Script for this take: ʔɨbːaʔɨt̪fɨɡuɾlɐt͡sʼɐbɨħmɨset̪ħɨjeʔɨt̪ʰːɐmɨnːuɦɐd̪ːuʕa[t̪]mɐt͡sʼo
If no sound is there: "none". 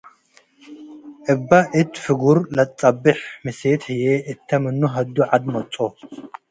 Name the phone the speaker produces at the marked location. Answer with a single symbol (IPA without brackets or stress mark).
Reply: d̪